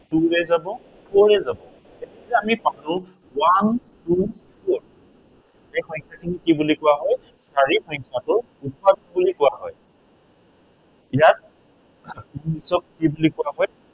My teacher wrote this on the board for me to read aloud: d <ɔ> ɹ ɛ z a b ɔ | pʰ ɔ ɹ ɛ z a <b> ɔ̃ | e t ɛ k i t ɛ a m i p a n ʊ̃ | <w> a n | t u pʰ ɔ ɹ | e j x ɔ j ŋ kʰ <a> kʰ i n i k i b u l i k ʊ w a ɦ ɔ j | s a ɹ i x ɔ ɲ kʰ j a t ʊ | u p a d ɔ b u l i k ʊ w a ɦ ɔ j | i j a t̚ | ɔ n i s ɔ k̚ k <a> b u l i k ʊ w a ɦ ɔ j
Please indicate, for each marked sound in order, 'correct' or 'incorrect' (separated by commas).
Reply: incorrect, correct, correct, correct, incorrect